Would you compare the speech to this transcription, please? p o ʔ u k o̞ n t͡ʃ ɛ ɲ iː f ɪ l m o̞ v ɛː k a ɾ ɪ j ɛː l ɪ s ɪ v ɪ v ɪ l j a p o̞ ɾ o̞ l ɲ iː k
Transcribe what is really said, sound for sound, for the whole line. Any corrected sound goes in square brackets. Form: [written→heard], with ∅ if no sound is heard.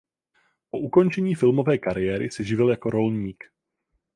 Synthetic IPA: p o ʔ u k o̞ n t͡ʃ ɛ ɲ iː f ɪ l m o̞ v ɛː k a ɾ ɪ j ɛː [l→ɾ] ɪ s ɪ [v→ʒ] ɪ v ɪ l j a [p→k] o̞ ɾ o̞ l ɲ iː k